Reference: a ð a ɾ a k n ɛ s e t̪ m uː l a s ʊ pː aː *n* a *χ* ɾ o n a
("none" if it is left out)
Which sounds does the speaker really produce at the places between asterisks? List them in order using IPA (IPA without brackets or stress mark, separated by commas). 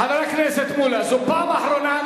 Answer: m, ħ